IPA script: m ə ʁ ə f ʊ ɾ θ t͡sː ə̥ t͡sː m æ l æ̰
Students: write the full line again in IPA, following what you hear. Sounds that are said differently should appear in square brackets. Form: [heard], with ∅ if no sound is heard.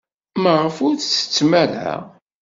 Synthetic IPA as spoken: m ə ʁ ə f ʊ ɾ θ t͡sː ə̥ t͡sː m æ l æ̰